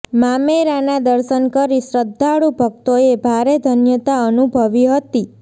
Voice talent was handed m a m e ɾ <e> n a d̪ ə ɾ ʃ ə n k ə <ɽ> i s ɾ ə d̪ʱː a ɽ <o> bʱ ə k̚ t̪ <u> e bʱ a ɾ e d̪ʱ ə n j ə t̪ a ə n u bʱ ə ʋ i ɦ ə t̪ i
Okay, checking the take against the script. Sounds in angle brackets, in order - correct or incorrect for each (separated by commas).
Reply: incorrect, incorrect, incorrect, incorrect